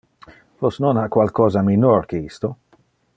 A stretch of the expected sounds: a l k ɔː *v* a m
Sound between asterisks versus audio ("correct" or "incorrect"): incorrect